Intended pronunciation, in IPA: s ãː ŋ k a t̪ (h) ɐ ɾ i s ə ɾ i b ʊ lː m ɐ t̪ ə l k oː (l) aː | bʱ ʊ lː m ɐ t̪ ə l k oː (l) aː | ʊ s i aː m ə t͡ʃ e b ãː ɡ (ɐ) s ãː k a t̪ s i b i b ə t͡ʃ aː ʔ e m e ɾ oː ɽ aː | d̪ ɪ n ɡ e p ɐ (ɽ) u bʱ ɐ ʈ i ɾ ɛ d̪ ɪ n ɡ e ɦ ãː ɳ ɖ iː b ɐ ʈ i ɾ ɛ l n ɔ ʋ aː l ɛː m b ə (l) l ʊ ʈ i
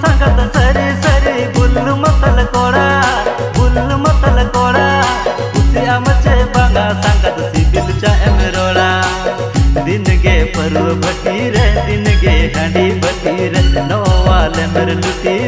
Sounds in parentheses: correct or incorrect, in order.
incorrect: s, incorrect: ɽ, incorrect: ɽ, incorrect: a, incorrect: ɾ, incorrect: ɾ

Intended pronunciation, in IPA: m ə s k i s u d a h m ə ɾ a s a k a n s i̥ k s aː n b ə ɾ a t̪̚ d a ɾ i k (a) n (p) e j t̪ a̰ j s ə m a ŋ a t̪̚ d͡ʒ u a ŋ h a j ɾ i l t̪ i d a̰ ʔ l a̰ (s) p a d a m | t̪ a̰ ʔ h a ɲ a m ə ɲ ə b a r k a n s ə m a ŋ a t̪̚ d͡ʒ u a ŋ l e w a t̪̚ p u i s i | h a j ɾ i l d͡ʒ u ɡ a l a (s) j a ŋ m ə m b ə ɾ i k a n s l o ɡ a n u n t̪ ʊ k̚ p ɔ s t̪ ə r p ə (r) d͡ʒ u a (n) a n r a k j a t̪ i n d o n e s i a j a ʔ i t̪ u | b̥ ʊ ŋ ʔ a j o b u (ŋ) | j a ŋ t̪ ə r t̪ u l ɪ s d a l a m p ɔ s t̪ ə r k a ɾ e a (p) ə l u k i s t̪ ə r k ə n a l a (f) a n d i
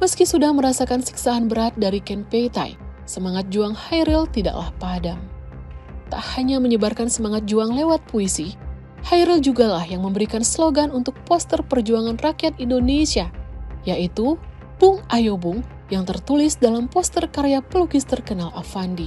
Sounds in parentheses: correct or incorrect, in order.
incorrect: ɛ, correct, incorrect: h, incorrect: h, correct, incorrect: ŋ, correct, correct, correct

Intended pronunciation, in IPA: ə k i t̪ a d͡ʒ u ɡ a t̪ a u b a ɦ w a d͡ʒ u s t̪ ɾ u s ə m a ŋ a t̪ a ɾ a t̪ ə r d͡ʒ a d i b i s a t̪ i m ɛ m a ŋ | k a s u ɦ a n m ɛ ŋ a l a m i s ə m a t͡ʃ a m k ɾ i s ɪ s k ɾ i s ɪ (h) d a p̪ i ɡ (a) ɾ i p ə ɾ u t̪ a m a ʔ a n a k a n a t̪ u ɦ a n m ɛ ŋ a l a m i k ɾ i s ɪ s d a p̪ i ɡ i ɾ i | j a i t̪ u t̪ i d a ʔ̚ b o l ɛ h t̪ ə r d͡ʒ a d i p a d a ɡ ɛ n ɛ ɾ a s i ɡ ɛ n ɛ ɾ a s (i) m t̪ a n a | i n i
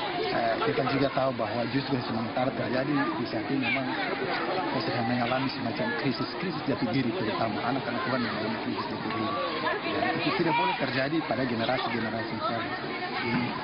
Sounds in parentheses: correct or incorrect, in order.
incorrect: s, incorrect: i, correct

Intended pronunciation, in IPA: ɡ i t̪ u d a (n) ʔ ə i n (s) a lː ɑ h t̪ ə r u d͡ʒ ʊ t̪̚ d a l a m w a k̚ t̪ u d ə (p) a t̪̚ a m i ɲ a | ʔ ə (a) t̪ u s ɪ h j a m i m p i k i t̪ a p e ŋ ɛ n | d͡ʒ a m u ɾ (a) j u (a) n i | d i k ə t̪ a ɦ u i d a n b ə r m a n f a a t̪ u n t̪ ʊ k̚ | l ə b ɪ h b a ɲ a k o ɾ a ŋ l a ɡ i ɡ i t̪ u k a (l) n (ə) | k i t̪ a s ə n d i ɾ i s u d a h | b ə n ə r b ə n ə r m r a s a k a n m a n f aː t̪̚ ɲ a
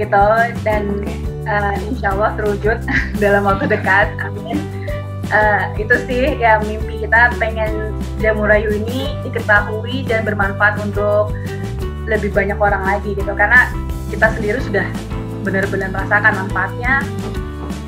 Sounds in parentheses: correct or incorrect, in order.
correct, incorrect: ʃ, incorrect: k, incorrect: i, correct, incorrect: i, incorrect: r, incorrect: a

